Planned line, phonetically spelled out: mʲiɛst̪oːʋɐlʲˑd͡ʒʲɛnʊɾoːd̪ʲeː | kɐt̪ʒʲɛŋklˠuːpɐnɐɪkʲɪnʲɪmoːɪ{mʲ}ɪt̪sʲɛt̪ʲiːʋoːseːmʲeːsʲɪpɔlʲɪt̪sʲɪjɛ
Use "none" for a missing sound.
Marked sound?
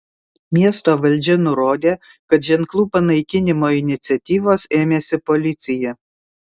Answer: nʲ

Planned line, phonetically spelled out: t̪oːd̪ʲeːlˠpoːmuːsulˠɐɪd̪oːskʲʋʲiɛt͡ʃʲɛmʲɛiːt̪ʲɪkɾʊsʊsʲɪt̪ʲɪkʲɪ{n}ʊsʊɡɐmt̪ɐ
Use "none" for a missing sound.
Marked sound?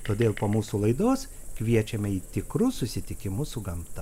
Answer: m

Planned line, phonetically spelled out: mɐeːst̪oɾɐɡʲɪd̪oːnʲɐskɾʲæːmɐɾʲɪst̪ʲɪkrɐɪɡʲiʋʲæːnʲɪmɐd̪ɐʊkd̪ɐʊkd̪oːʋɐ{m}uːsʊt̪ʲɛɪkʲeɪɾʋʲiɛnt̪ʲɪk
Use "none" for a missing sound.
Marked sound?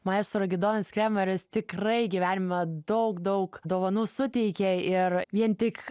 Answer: n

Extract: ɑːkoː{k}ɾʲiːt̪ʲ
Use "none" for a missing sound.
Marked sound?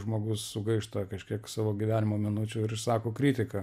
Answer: k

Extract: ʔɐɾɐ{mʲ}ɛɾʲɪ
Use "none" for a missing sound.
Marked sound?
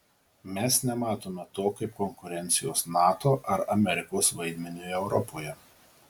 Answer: mʲ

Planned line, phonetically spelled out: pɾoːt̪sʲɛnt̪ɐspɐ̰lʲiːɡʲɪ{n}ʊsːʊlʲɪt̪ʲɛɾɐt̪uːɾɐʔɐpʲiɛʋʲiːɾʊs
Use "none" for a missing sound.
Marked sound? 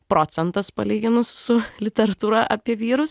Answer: n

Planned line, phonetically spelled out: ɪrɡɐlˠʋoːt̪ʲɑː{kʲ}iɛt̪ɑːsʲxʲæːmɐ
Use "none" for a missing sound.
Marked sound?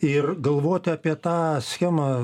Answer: pʲ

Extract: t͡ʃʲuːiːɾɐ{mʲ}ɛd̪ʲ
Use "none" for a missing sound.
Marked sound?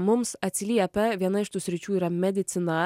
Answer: mʲ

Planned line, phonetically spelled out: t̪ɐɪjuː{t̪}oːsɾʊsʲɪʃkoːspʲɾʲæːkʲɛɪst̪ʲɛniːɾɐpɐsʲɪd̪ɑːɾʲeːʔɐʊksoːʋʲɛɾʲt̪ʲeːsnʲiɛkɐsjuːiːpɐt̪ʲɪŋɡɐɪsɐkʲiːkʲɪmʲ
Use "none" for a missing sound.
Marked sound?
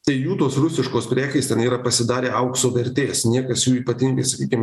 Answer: t̪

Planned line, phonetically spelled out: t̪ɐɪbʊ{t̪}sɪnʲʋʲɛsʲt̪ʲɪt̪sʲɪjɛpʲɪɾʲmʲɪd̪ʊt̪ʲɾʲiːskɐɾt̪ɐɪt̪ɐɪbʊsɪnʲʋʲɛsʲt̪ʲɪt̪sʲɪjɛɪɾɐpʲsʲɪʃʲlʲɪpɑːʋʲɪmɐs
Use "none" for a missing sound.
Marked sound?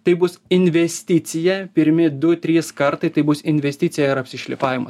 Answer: none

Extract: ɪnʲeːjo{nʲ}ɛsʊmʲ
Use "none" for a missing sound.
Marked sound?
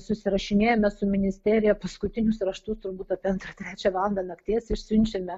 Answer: mʲ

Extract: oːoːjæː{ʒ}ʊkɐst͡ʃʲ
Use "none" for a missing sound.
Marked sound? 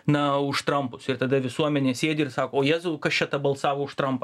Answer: z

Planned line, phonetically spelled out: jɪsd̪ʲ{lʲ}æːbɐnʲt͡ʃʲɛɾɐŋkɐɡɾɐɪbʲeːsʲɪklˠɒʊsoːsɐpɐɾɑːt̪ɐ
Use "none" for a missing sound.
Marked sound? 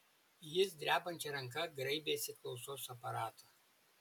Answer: ɾʲ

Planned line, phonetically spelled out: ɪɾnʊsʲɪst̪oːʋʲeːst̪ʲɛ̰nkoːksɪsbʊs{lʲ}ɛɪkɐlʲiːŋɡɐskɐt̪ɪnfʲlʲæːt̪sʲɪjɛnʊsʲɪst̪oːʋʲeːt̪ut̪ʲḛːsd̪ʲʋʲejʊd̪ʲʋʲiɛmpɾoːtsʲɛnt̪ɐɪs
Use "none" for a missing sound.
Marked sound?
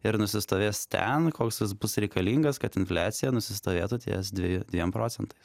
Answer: ɾʲ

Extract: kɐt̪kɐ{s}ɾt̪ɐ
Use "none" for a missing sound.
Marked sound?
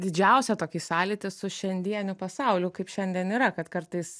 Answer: none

